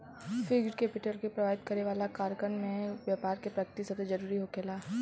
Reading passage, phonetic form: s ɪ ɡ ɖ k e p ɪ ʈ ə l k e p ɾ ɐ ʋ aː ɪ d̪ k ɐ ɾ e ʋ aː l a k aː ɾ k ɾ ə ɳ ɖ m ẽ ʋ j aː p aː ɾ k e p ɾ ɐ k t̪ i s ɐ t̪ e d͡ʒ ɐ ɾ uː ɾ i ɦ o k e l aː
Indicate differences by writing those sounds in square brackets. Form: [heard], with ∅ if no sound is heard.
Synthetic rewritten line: [f] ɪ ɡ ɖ k e p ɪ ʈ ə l k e p ɾ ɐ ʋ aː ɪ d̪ k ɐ ɾ e ʋ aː l a k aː ɾ k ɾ ə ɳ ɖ m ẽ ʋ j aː p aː ɾ k e p ɾ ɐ k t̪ i s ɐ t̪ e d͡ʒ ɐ ɾ uː ɾ i ɦ o k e l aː